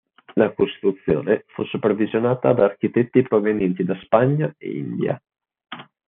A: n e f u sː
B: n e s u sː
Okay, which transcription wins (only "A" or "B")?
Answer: A